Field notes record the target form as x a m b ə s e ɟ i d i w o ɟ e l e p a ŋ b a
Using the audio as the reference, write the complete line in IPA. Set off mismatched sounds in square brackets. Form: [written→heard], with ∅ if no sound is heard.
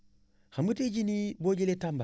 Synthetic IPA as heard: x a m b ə [s→t] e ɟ i [d→n] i [w→b] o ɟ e l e [p→t] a [ŋ→m] b a